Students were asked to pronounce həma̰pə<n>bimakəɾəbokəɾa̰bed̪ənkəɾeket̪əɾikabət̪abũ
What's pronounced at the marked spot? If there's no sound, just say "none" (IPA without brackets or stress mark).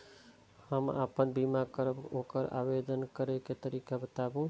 n